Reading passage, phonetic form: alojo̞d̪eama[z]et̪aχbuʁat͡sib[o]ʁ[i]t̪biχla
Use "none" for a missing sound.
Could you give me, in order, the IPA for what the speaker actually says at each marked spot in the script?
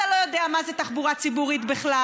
z, u, i

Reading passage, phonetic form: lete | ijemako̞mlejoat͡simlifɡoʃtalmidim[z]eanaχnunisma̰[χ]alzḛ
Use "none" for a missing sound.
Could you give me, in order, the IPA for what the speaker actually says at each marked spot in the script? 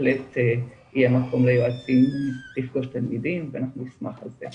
v, χ

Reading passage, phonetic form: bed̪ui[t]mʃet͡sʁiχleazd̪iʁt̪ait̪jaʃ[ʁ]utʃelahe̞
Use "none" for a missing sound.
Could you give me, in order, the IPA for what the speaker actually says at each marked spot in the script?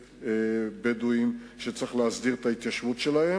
none, v

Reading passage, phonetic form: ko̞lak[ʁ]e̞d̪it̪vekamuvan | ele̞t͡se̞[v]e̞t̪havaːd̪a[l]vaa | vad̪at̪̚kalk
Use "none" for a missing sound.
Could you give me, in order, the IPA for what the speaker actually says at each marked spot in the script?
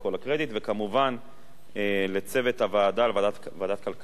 ʁ, v, l

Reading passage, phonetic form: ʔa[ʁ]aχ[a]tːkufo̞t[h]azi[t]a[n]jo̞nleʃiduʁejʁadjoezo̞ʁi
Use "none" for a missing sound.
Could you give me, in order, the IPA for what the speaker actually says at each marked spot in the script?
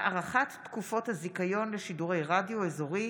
ʁ, a, h, k, none

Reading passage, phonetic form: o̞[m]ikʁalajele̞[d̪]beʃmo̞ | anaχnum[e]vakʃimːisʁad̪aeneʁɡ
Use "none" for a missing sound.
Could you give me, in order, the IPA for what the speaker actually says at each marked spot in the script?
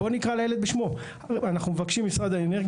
n, d̪, e

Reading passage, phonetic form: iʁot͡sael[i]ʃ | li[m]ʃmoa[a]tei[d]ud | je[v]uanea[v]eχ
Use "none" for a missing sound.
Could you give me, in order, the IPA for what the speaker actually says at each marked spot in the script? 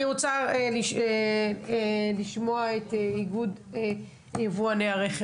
i, none, e, ɡ, v, ʁ

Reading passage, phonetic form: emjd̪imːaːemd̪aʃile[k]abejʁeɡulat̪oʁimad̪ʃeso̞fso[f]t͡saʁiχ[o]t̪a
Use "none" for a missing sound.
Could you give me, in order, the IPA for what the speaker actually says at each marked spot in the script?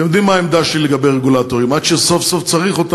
ɡ, f, o

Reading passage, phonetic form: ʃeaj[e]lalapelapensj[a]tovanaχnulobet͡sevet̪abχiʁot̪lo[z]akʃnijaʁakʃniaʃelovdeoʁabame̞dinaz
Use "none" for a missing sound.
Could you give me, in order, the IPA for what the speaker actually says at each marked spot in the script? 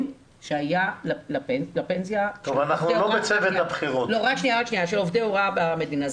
a, a, ʁ

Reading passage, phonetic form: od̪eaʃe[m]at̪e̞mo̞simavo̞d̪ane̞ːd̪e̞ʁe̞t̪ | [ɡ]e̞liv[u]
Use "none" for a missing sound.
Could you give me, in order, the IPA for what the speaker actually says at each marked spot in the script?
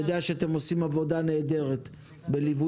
none, b, u

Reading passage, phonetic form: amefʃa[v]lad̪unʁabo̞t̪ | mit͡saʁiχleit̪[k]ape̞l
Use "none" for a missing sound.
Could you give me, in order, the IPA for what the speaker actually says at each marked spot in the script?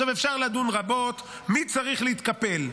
ʁ, k

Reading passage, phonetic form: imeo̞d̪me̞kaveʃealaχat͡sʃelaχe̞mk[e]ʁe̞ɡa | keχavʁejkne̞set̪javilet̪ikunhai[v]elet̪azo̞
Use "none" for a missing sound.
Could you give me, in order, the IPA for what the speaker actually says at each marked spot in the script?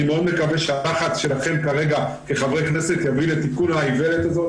a, v

